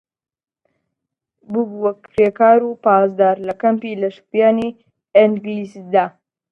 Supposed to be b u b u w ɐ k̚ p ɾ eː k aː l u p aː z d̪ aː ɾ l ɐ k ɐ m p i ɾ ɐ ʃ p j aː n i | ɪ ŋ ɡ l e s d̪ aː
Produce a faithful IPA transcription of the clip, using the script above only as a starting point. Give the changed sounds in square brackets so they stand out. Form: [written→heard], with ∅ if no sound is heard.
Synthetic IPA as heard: b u b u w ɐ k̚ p ɾ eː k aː [l→ɾ] u p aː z d̪ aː ɾ l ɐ k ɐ m p i [ɾ→l] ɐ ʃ p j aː n i | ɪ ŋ ɡ l [e→i] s d̪ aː